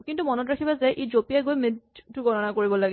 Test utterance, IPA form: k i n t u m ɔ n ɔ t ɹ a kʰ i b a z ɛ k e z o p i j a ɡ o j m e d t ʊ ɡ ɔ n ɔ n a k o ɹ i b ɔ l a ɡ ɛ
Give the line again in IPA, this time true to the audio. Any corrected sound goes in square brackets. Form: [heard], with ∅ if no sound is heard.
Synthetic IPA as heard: k i n t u m ɔ n ɔ t ɹ a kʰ i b a z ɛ [ʔ] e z o p i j a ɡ o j m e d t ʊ ɡ ɔ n ɔ n a k o ɹ i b ɔ l a ɡ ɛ